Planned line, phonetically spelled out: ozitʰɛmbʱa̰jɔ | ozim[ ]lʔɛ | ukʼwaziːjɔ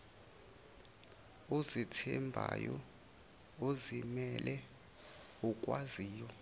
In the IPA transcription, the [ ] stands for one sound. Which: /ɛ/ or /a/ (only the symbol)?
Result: ɛ